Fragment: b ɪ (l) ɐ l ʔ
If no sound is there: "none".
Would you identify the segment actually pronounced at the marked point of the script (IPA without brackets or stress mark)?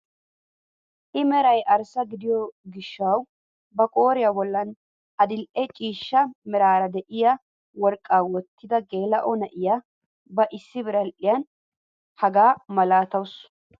ɾ